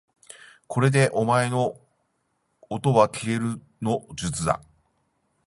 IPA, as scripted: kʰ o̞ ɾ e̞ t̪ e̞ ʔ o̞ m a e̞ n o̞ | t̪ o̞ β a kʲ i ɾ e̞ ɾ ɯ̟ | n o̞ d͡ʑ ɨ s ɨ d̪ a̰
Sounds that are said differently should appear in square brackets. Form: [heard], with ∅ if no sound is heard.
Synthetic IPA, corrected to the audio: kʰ o̞ ɾ e̞ [d̪] e̞ ʔ o̞ m a e̞ n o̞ | t̪ o̞ β a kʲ i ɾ e̞ ɾ ɯ̟ | n o̞ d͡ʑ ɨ [t͡s] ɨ d̪ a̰